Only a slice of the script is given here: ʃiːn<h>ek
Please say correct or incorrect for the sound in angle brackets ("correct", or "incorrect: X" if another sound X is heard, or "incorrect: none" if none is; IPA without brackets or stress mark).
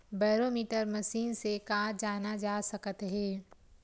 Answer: incorrect: s